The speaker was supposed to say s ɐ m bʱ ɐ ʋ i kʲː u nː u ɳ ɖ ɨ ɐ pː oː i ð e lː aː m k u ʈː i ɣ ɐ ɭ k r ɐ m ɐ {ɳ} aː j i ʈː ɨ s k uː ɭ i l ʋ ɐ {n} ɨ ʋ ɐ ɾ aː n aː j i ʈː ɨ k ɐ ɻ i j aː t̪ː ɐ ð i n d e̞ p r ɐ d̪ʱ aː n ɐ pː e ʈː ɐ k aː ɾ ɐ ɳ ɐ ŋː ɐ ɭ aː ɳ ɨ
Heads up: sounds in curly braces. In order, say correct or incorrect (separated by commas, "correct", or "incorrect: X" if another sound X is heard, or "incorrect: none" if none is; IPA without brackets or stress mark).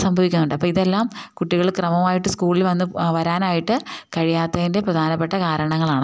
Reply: incorrect: m, incorrect: nː